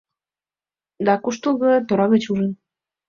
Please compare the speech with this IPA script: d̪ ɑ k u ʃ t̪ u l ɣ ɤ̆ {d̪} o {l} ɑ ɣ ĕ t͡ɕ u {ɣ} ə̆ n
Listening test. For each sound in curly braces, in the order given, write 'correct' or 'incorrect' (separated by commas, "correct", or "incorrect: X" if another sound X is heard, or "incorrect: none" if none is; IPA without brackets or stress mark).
incorrect: t̪, incorrect: ɾ, incorrect: ʒ